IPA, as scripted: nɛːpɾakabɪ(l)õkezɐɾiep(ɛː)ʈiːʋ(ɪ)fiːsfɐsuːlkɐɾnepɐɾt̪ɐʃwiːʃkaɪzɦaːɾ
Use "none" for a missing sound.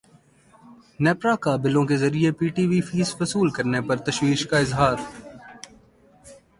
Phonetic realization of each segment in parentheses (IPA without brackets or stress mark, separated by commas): l, iː, i